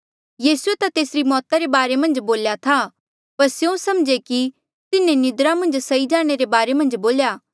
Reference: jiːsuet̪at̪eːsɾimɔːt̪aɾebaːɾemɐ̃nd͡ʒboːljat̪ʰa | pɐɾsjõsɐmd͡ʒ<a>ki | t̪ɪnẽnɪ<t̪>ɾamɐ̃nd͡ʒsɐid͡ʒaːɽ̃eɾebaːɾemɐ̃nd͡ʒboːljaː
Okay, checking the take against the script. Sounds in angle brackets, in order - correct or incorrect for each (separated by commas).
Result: incorrect, incorrect